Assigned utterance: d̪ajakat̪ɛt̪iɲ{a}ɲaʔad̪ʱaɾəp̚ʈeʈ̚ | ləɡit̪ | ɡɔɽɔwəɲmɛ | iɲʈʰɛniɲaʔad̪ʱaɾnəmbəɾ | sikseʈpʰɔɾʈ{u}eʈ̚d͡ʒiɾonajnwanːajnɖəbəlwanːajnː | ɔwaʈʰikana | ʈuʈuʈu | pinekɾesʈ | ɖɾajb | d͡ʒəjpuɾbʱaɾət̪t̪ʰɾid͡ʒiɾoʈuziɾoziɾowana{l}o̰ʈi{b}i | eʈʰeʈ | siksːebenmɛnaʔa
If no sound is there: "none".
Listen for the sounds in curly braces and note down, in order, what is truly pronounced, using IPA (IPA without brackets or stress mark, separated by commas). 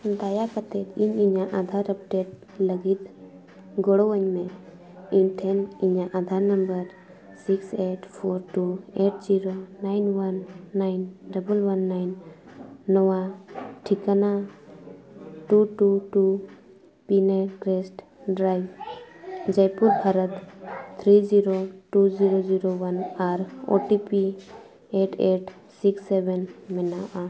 i, u, ɾ, p